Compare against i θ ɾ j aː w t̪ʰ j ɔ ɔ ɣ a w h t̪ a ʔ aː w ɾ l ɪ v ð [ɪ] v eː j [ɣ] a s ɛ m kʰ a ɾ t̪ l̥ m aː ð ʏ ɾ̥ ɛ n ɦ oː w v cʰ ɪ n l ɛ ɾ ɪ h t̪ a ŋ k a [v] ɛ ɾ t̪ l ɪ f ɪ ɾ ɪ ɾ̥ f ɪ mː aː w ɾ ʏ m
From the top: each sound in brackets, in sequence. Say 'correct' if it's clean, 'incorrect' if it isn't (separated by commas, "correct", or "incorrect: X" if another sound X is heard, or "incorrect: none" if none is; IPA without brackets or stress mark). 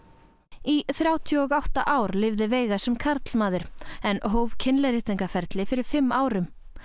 correct, correct, incorrect: f